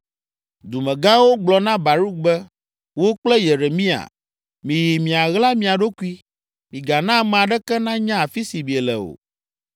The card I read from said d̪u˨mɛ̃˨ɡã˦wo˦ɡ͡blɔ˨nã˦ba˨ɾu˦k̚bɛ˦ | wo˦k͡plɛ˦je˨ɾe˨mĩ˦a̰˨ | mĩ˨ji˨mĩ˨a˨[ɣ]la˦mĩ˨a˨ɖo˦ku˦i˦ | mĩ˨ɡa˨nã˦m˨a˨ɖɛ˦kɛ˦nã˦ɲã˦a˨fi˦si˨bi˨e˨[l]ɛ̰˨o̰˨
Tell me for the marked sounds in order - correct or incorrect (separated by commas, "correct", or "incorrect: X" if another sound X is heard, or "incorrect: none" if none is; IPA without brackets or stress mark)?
correct, correct